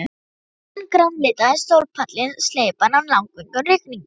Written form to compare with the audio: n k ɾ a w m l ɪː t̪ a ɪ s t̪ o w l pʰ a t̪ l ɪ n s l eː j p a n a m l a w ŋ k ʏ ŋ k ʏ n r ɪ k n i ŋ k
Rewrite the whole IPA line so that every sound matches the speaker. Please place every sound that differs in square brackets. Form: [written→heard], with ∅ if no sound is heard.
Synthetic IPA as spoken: n k ɾ a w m l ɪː t̪ a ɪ s t̪ o w l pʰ a t̪ l ɪ n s l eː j p a n a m l a w ŋ k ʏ ŋ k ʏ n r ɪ k n i ŋ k